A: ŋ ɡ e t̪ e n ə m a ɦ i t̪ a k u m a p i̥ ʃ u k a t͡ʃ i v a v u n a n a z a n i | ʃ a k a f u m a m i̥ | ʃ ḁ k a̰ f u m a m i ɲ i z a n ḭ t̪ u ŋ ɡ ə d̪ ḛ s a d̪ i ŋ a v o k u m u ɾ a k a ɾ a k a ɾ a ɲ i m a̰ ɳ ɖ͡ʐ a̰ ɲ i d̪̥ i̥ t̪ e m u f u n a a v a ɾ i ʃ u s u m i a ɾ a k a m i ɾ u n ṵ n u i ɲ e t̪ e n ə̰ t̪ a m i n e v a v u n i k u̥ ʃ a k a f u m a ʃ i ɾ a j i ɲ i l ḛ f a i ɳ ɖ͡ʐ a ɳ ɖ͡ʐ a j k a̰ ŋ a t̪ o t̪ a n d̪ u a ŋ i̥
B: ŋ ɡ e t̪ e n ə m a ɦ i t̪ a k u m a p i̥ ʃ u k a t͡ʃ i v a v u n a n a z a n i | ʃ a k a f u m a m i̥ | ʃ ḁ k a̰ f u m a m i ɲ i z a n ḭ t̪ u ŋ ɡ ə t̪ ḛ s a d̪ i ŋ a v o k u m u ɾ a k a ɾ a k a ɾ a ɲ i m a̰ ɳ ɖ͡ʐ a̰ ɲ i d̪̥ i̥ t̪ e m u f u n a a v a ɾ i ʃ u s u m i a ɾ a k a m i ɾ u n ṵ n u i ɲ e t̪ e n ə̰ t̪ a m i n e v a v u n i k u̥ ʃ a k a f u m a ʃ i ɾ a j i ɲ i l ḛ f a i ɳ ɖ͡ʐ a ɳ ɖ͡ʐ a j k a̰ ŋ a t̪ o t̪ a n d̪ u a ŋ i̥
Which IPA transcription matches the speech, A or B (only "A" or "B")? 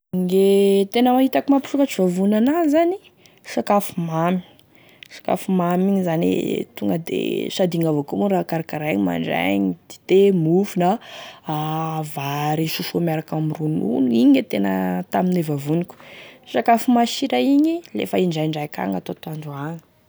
A